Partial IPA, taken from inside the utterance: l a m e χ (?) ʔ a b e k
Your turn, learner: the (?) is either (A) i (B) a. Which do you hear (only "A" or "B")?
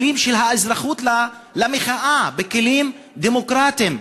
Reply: B